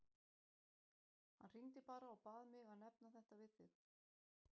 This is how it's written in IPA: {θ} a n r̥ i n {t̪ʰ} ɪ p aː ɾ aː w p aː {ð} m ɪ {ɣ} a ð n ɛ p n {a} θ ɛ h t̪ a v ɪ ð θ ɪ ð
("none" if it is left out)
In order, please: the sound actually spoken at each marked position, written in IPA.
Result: h, t̪, ð, ɣ, a

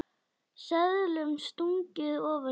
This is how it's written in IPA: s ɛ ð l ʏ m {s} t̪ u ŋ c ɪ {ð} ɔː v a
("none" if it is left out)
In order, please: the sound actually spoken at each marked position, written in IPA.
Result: s, ð

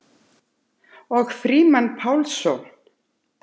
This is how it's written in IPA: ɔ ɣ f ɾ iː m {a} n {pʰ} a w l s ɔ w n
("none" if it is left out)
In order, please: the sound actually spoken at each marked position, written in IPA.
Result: a, pʰ

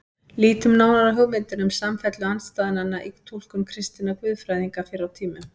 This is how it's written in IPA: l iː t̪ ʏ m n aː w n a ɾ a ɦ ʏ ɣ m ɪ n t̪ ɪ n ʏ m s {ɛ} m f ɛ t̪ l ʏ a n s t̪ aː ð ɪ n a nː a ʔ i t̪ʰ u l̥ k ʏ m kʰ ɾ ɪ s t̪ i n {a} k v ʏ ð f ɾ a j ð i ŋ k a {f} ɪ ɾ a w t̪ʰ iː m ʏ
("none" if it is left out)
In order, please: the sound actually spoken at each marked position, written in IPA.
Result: a, a, f

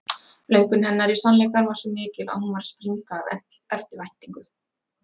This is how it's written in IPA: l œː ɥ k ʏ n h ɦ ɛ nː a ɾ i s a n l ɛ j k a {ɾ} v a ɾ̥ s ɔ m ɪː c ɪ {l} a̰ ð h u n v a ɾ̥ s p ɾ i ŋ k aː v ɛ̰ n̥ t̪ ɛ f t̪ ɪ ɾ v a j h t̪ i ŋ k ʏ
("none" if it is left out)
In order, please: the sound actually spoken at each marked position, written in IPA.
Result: ɾ, l

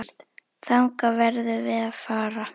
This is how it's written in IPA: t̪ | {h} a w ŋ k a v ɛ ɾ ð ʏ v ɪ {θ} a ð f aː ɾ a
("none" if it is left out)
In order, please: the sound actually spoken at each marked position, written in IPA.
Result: θ, ð

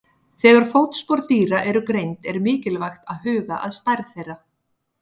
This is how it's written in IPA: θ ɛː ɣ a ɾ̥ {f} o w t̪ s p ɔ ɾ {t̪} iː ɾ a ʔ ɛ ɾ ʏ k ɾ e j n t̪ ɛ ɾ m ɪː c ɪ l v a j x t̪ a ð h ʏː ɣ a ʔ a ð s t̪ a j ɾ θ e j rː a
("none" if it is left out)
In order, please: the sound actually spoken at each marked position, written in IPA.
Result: f, t̪

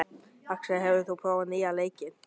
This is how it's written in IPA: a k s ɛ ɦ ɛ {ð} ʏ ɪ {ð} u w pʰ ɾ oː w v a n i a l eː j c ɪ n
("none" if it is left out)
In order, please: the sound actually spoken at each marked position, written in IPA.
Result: v, θ

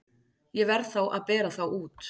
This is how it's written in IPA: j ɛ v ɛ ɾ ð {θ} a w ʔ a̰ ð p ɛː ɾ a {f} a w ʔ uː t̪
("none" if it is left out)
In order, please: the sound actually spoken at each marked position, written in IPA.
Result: θ, θ

